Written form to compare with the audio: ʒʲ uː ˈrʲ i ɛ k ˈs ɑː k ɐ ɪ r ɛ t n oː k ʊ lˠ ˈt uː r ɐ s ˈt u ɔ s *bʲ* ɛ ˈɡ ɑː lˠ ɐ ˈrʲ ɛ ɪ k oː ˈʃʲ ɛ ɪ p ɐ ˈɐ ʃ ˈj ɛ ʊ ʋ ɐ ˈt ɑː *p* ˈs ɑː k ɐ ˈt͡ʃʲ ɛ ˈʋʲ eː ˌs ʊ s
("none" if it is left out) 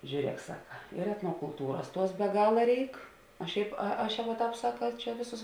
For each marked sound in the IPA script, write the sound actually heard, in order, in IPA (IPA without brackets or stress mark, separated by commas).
bʲ, p